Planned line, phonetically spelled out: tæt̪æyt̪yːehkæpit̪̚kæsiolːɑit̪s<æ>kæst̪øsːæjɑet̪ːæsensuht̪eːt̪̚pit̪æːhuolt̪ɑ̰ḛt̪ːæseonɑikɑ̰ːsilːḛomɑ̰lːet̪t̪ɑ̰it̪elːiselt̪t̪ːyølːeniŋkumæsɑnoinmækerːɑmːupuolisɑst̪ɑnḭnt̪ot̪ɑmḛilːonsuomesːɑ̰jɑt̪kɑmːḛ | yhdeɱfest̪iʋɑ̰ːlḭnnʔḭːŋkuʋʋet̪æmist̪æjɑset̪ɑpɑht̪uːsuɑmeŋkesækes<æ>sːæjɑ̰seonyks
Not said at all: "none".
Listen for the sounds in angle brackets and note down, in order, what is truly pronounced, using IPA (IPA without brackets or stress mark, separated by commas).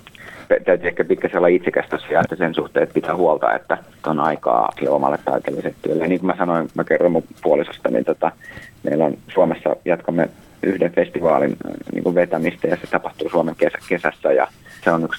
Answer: e, æ